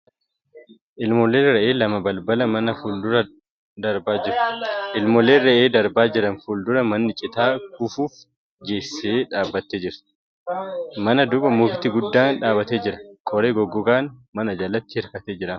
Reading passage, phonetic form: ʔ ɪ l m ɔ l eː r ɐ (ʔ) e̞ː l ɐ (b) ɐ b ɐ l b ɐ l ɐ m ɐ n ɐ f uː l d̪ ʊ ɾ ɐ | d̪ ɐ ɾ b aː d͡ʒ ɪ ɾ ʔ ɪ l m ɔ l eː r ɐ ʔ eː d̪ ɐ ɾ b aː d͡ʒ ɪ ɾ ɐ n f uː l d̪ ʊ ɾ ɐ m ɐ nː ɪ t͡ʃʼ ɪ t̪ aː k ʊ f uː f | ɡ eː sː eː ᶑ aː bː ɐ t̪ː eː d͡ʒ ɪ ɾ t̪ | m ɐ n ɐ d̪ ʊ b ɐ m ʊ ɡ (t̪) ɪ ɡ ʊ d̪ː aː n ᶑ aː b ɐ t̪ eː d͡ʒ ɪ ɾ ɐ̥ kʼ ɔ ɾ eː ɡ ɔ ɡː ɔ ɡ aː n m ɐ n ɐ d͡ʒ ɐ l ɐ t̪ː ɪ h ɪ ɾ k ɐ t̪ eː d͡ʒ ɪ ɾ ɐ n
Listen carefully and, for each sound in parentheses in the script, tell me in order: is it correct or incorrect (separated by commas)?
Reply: correct, incorrect, correct